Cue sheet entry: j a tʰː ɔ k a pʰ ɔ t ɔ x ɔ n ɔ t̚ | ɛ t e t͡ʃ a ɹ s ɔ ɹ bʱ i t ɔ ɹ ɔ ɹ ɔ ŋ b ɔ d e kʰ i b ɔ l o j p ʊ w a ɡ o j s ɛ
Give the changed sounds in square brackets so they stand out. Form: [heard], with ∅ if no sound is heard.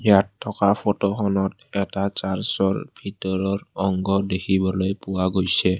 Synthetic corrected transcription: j a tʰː ɔ k a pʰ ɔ t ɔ x ɔ n ɔ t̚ | ɛ t [a] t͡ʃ a ɹ s ɔ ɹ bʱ i t ɔ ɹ ɔ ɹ ɔ ŋ [ɡ] ɔ d e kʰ i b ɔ l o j p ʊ w a ɡ o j s ɛ